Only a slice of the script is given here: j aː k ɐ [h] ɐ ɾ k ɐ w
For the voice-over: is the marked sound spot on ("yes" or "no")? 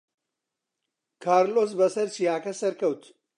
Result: no